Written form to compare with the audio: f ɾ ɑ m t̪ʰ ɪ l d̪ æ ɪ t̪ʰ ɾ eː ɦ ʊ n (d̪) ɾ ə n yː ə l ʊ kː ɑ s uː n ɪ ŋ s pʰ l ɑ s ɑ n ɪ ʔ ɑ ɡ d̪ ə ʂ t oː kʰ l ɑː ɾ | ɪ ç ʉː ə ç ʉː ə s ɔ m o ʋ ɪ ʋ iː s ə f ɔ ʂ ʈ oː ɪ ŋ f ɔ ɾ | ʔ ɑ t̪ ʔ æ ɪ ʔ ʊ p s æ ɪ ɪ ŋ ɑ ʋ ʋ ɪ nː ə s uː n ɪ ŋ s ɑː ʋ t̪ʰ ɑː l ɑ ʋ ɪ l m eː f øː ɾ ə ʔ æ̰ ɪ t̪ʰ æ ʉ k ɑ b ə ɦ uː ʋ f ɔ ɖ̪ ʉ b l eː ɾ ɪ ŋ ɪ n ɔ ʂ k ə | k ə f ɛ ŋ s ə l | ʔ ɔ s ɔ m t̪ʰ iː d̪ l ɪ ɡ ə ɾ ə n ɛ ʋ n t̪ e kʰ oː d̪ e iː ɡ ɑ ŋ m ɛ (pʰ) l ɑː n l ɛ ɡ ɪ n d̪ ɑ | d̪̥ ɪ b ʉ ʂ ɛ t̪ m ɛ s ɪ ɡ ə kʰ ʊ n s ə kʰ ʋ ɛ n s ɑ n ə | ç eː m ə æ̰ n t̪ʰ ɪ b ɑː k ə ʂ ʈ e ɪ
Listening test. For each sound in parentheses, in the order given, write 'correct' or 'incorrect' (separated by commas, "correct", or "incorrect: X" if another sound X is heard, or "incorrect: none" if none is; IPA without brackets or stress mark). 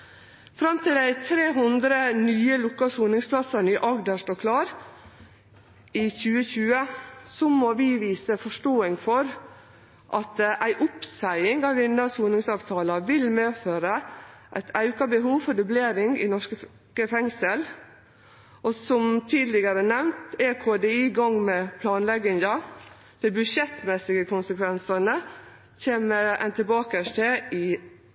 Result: correct, correct